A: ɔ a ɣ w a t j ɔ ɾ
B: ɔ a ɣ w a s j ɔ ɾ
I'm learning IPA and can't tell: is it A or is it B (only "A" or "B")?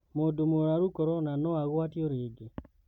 A